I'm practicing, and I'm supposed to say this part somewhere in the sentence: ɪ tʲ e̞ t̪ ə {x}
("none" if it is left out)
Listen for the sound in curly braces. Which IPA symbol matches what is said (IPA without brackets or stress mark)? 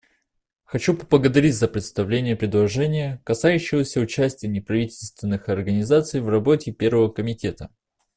none